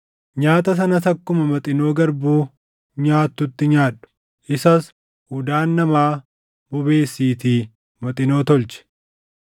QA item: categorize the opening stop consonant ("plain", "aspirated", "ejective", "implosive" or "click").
plain